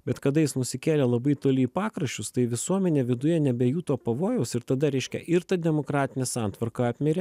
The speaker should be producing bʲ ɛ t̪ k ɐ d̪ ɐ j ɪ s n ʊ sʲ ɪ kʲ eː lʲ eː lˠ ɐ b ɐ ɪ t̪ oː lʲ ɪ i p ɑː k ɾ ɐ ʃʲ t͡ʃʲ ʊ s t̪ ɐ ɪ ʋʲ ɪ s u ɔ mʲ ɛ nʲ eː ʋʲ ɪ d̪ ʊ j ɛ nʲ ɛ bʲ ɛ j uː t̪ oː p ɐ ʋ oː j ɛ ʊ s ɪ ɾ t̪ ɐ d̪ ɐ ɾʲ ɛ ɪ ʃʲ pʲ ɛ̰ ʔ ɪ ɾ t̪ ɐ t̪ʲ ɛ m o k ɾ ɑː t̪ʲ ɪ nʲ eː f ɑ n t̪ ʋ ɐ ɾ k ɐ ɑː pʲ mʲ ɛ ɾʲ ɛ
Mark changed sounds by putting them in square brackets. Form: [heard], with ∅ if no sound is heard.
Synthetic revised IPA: bʲ ɛ t̪ k ɐ d̪ ɐ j ɪ s n ʊ sʲ ɪ kʲ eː lʲ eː lˠ ɐ b ɐ ɪ t̪ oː lʲ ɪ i p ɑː k ɾ ɐ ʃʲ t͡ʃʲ ʊ s t̪ ɐ ɪ ʋʲ ɪ s u ɔ mʲ ɛ nʲ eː ʋʲ ɪ d̪ ʊ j ɛ nʲ ɛ bʲ ɛ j uː t̪ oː p ɐ ʋ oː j ɛ ʊ s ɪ ɾ t̪ ɐ d̪ ɐ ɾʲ ɛ ɪ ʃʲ [kʲ] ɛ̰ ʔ ɪ ɾ t̪ ɐ [d̪ʲ] ɛ m o k ɾ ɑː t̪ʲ ɪ nʲ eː [s] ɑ n t̪ ʋ ɐ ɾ k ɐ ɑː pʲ mʲ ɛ ɾʲ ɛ